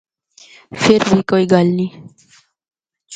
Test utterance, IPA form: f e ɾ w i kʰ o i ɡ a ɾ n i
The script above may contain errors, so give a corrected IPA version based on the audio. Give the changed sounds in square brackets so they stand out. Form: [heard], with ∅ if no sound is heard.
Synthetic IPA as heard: f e ɾ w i [k] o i ɡ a [l] n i